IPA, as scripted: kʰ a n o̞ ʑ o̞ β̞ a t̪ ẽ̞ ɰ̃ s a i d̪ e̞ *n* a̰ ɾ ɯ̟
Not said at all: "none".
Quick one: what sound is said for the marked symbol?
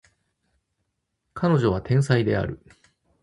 none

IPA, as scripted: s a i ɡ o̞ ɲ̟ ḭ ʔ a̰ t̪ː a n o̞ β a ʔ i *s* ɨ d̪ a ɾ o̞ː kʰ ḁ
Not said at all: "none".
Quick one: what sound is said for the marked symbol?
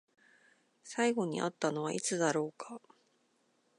t͡s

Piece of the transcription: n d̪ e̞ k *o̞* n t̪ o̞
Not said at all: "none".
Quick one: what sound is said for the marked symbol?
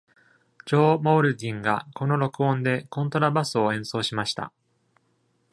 õ̞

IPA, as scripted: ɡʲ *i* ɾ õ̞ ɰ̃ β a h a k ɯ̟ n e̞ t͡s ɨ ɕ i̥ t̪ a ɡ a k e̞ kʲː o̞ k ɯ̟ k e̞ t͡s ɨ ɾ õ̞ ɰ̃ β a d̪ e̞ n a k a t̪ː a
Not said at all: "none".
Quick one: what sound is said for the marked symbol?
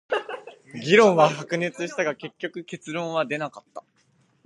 i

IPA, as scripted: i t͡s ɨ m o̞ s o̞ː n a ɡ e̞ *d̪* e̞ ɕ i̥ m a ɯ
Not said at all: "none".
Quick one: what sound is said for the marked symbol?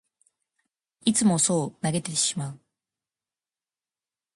t̪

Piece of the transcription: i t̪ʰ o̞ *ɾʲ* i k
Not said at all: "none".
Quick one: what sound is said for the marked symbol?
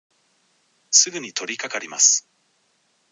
ɾʲ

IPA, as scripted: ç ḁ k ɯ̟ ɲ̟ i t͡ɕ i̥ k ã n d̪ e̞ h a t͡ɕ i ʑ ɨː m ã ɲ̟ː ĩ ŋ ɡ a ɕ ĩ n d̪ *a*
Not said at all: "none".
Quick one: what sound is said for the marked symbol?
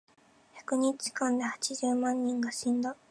a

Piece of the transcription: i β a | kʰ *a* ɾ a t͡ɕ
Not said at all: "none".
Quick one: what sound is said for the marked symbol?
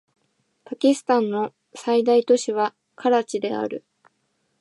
a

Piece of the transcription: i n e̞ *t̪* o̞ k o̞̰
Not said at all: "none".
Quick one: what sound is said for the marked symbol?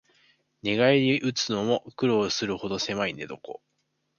d̪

